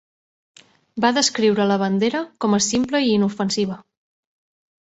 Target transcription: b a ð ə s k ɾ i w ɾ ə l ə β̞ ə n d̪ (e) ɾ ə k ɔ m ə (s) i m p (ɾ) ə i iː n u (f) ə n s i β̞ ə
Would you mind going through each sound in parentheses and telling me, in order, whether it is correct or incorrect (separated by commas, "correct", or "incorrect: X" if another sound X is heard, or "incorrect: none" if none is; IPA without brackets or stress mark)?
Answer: correct, correct, incorrect: l, correct